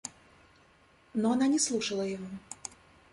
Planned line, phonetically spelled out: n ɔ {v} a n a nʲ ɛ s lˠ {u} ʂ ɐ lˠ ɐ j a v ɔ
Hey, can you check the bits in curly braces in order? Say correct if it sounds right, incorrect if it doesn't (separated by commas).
incorrect, correct